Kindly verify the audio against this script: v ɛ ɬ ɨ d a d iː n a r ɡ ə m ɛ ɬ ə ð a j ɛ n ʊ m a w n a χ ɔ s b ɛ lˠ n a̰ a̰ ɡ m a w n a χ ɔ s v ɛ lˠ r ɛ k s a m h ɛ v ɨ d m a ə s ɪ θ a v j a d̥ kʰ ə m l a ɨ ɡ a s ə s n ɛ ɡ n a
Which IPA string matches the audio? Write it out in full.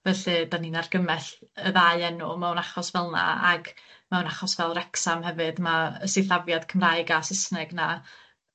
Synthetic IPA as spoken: v ɛ ɬ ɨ d a n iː n a r ɡ ə m ɛ ɬ ə ð a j ɛ n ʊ m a w n a χ ɔ s v ɛ lˠ n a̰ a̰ ɡ m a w n a χ ɔ s v ɛ lˠ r ɛ k s a m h ɛ v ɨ d m a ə s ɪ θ a v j a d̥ kʰ ə m r a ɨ ɡ a s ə s n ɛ ɡ n a

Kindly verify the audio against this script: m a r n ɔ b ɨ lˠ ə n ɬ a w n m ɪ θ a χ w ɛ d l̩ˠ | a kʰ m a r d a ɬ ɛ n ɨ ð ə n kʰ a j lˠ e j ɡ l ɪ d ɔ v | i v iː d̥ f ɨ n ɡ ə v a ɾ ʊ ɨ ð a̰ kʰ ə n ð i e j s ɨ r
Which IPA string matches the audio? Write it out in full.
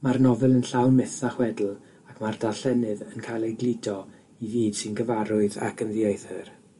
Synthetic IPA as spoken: m a r n ɔ v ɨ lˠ ə n ɬ a w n m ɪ θ a χ w ɛ d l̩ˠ | a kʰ m a r d a ɬ ɛ n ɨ ð ə n kʰ a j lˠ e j ɡ l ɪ d ɔ | i v iː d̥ s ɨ n ɡ ə v a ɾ ʊ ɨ ð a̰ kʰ ə n ð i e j θ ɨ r

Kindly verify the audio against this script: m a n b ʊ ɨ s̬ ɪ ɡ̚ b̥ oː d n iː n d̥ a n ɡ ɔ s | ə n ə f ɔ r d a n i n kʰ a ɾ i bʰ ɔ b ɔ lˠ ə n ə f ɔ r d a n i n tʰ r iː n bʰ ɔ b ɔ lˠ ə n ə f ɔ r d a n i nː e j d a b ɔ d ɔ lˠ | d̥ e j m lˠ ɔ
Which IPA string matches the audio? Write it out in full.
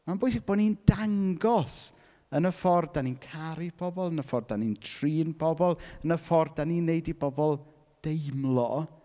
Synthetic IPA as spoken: m a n b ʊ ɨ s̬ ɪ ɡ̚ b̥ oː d n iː n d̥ a ŋ ɡ ɔ s | ə n ə f ɔ r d a n i n kʰ a ɾ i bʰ ɔ b ɔ lˠ ə n ə f ɔ r d a n i n tʰ r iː n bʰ ɔ b ɔ lˠ ə n ə f ɔ r d a n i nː e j d i b ɔ b ɔ lˠ | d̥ e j m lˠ ɔ

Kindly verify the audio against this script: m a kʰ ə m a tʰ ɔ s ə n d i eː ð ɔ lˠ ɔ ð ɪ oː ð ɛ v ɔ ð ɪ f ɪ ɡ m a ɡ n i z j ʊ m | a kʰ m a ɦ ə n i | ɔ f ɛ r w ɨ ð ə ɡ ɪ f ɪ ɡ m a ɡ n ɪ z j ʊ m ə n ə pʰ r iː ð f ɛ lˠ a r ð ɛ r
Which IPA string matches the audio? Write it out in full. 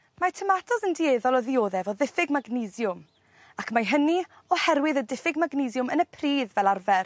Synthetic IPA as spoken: m a tʰ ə m a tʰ ɔ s ə n d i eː ð ɔ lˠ ɔ ð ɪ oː ð ɛ v ɔ ð ɪ f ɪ ɡ m a ɡ n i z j ʊ m | a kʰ m a ɦ ə n i | ɔ h ɛ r w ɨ ð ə d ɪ f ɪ ɡ m a ɡ n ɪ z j ʊ m ə n ə pʰ r iː ð v ɛ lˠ a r v ɛ r

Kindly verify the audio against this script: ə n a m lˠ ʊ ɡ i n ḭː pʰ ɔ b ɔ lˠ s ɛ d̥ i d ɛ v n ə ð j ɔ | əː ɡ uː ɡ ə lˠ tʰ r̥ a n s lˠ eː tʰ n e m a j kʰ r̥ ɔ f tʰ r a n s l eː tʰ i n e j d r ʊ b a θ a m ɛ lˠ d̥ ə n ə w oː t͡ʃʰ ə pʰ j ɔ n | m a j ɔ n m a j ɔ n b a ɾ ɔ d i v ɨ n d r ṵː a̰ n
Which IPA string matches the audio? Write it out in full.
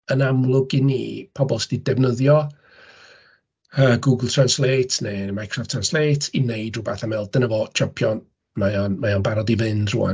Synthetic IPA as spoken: ə n a m lˠ ʊ ɡ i n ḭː pʰ ɔ b ɔ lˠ s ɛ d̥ i d ɛ v n ə ð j ɔ | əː ɡ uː ɡ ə lˠ tʰ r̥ a n s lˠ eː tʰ n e m a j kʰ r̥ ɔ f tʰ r a n s l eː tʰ i n e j d r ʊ b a θ a m ɛ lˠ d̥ ə n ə v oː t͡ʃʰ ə pʰ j ɔ n | m a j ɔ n m a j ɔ n b a ɾ ɔ d i v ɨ n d r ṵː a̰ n

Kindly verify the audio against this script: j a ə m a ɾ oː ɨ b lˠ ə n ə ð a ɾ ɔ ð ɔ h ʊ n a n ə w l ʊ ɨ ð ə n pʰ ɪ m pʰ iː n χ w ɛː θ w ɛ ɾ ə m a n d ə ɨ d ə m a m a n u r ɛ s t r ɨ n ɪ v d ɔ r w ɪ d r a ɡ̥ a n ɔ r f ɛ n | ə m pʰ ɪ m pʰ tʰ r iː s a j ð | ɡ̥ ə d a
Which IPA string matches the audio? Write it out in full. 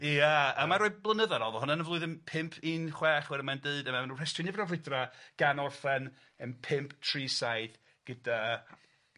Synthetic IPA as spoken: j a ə m a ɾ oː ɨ b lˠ ə n ə ð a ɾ ɔ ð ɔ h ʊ n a n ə v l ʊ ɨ ð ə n pʰ ɪ m pʰ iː n χ w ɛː χ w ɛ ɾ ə m a n d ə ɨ d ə m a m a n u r ɛ s t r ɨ n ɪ v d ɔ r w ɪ d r a ɡ̥ a n ɔ r f ɛ n | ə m pʰ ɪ m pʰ tʰ r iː s a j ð | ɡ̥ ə d a

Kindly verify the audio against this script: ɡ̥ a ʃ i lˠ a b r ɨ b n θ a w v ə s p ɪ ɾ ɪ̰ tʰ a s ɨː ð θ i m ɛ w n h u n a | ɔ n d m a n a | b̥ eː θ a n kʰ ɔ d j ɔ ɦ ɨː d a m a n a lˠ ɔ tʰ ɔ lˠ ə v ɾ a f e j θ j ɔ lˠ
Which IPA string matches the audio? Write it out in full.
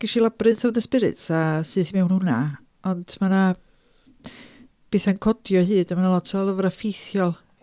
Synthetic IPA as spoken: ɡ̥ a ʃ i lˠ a b r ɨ n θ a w ð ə s p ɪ ɾ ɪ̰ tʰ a s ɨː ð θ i m ɛ w n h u n a | ɔ n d m a n a | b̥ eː θ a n kʰ ɔ d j ɔ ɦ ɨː d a m a n a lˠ ɔ tʰ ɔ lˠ ə v ɾ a f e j θ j ɔ lˠ

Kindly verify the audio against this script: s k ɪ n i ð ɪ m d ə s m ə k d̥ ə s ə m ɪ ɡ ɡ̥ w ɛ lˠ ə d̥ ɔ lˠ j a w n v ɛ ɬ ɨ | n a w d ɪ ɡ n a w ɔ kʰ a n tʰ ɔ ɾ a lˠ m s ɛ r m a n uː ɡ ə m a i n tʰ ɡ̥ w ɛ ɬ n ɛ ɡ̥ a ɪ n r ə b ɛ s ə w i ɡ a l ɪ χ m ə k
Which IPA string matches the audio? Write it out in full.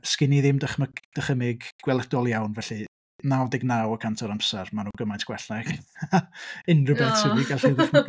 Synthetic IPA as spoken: s k ɪ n i ð ɪ m d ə χ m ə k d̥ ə χ ə m ɪ ɡ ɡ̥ w ɛ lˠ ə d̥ ɔ lˠ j a w n v ɛ ɬ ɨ | n a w d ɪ ɡ n a w ɔ kʰ a n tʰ ɔ ɾ a m s ɛ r m a n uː ɡ ə m a j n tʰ ɡ̥ w ɛ ɬ n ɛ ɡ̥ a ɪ n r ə b ɛ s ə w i ɡ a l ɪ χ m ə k

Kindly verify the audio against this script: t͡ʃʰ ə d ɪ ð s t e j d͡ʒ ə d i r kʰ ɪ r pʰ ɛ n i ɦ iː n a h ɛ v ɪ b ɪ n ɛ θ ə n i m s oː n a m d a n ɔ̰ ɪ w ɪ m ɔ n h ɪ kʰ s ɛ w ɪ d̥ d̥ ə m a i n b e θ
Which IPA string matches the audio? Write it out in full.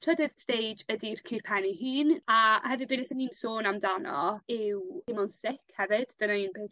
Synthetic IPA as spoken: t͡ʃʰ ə d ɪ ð s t e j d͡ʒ ə d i r kʰ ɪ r pʰ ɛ n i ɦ iː n a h ɛ v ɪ b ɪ n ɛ θ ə n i m s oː n a m d a n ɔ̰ ɪ w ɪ m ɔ n s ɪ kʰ h ɛ v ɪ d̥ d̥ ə n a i n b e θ

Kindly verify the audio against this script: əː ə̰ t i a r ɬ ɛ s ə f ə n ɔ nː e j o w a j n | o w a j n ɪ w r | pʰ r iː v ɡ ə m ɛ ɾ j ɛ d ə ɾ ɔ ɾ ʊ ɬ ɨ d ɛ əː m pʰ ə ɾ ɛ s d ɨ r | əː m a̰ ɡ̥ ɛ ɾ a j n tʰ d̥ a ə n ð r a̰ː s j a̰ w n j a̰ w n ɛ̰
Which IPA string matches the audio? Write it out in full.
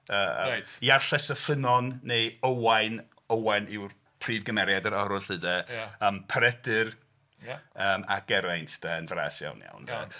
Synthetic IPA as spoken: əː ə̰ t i a r ɬ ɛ s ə f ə n ɔ nː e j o w a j n | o w a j n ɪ w r | pʰ r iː v ɡ ə m ɛ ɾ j a d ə ɾ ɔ ɾ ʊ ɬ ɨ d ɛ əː m pʰ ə ɾ ɛ d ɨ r | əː m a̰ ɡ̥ ɛ ɾ a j n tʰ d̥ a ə n v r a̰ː s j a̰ w n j a̰ w n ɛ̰

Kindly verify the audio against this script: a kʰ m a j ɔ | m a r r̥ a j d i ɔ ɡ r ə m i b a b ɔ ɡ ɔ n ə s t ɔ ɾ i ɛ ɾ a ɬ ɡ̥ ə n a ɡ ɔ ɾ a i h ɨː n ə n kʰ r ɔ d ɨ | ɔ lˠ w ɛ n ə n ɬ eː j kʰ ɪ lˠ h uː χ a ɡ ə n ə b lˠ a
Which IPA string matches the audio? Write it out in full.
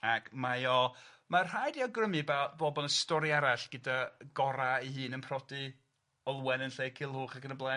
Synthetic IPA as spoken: a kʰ m a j ɔ | m a r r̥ a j d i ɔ ɡ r ə m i b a b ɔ b ɔ n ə s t ɔ ɾ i a ɾ a ɬ ɡ̥ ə d a ɡ ɔ ɾ a i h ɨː n ə n pʰ r ɔ d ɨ | ɔ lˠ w ɛ n ə n ɬ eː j kʰ ɪ lˠ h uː χ a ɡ ə n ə b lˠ a

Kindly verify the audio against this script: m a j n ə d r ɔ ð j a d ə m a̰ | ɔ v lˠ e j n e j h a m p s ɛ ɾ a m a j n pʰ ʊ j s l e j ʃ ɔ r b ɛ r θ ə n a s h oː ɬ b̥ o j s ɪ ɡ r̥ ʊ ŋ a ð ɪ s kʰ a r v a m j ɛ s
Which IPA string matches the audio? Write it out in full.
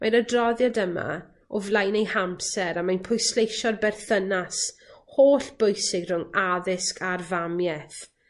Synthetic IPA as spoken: m a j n ə d r ɔ ð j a d ə m a̰ | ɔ v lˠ a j n e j h a m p s ɛ ɾ a m a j n pʰ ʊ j s l e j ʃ ɔ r b ɛ r θ ə n a s h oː ɬ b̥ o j s ɪ ɡ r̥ ʊ ŋ a ð ɪ s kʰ a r v a m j ɛ θ

